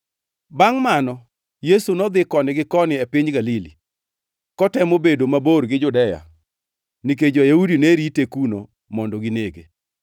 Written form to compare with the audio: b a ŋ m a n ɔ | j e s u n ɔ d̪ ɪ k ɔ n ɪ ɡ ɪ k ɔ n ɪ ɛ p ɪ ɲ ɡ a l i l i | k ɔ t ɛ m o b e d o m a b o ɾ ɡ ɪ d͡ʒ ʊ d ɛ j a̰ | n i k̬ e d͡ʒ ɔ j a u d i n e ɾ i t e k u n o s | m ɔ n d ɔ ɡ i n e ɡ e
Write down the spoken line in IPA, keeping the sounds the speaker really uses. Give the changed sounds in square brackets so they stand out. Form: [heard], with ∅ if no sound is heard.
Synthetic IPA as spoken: b a ŋ m a n ɔ | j e s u n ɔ d̪ ɪ k ɔ n ɪ ɡ ɪ k ɔ n ɪ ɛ p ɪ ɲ ɡ a l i l i | k ɔ t ɛ m o b e d o m a b o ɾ ɡ ɪ d͡ʒ ʊ d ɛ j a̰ | n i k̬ e d͡ʒ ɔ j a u d i n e ɾ i t e k u n o [∅] | m ɔ n d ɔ ɡ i n e ɡ e